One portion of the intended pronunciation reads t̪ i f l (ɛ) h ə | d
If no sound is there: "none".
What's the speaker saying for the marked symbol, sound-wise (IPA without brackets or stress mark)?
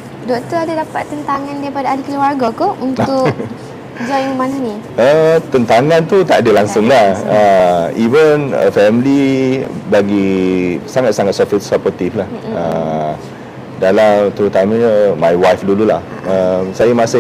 a